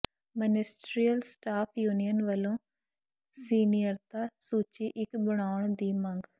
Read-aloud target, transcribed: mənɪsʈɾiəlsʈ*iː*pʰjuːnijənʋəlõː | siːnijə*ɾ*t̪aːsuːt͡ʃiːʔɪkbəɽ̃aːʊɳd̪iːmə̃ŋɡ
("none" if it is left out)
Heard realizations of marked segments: aː, ɾ

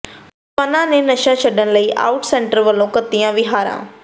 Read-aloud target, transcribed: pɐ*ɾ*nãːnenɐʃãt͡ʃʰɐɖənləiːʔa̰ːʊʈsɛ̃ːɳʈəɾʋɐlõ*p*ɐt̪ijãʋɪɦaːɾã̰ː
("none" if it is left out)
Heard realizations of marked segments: none, k

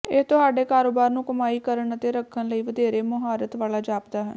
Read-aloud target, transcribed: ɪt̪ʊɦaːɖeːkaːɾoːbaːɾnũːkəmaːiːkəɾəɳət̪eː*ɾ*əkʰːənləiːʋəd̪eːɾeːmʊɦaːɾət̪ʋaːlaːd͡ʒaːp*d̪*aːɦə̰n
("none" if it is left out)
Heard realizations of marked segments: ɾ, d̪

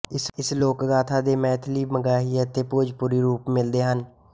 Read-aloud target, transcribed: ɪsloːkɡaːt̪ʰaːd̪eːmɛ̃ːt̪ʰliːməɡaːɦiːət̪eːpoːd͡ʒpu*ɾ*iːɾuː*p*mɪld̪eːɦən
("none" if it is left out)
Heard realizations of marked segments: ɾ, p

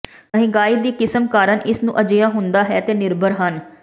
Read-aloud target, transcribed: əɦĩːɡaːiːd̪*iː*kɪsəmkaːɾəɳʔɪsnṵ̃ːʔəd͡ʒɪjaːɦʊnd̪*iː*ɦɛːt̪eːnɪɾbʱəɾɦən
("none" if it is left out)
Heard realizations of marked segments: iː, aː

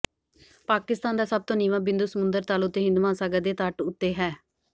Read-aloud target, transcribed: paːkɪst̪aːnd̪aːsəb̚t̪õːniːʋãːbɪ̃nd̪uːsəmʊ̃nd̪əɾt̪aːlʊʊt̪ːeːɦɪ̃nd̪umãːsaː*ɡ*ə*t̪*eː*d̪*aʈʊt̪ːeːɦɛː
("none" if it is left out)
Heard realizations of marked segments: ɡ, d̪, t̪

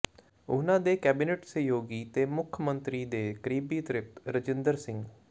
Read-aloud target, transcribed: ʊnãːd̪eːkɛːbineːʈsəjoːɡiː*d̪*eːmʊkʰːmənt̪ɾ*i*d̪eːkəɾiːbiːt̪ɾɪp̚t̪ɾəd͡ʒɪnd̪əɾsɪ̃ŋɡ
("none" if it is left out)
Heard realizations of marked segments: t̪, iː

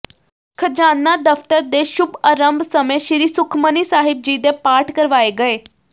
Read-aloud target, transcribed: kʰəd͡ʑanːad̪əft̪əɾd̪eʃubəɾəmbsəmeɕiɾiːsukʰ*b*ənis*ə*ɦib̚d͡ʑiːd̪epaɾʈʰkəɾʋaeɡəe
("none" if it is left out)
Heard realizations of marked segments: m, a

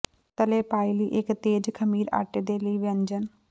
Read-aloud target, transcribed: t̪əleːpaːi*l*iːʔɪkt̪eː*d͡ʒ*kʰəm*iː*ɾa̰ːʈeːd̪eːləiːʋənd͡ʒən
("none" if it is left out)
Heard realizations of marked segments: l, d͡ʒ, iː

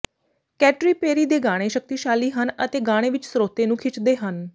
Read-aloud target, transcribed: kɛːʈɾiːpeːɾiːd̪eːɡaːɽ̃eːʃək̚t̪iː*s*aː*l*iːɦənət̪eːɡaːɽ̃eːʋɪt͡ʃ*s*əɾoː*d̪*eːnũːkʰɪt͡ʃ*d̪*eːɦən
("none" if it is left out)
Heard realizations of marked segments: ʃ, l, s, t̪, d̪

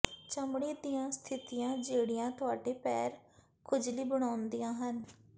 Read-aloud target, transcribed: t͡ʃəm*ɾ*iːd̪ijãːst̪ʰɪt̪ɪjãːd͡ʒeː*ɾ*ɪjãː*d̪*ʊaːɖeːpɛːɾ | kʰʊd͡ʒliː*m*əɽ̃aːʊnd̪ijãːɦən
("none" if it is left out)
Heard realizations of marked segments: ɽ, ɽ, t̪, b

